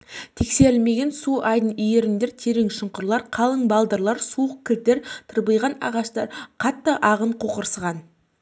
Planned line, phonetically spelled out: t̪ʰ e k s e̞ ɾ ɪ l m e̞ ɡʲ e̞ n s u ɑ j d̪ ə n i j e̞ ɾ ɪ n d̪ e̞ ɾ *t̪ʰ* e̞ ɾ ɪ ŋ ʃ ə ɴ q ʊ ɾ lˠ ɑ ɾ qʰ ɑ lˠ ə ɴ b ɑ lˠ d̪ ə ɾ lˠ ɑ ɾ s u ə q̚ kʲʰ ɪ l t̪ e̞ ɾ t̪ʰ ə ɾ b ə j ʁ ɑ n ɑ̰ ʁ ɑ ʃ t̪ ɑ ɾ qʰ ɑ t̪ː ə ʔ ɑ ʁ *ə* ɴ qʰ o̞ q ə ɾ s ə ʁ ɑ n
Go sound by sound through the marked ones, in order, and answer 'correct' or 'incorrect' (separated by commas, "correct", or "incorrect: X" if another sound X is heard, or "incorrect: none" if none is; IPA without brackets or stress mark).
correct, correct